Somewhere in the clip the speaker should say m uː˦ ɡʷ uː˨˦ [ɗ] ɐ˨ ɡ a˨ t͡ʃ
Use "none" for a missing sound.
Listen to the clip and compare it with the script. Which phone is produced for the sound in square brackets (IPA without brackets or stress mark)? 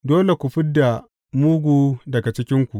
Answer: d